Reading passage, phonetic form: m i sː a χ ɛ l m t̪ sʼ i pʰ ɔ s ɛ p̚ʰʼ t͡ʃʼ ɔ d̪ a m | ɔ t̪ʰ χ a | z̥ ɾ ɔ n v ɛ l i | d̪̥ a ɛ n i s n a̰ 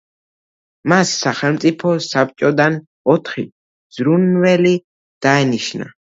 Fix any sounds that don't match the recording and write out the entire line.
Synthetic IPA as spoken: m a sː a χ ɛ l m t̪ sʼ i pʰ ɔ s a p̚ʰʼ t͡ʃʼ ɔ d̪ a n | ɔ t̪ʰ χ i | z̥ ɾ u n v ɛ l i | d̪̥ a ɛ n i ʃ n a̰